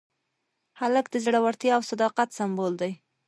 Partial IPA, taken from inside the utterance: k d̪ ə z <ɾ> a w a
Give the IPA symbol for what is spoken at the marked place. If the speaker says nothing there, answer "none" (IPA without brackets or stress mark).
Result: ɽ